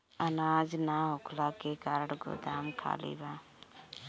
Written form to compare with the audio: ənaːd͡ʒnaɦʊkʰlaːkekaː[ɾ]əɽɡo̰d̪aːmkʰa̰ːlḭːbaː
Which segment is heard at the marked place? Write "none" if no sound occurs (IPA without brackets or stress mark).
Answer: ɾ